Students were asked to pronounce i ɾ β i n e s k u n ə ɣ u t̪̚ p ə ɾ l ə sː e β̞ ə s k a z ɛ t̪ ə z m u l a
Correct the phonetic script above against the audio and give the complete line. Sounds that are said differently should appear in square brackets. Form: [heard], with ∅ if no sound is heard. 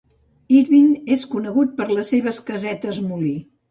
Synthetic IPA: i ɾ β i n e s k u n ə ɣ u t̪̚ p ə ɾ l ə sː e β̞ ə s k [ə] z ɛ t̪ ə z m u l [i]